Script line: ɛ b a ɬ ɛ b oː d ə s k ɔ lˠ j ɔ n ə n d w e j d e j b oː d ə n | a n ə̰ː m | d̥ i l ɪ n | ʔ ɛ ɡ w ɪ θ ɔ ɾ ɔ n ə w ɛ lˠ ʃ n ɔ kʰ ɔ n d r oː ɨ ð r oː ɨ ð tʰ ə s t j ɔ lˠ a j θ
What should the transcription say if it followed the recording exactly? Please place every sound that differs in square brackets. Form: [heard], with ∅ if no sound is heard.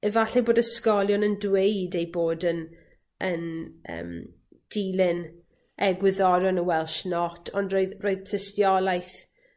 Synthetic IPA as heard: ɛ [v] a ɬ ɛ b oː d ə s k ɔ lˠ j ɔ n ə n d w e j d e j b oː d ə n | [ə] n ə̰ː m | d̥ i l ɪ n | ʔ ɛ ɡ w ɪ [ð] ɔ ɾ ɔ n ə w ɛ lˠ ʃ n ɔ [tʰ] ɔ n d r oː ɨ ð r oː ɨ ð tʰ ə s t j ɔ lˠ a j θ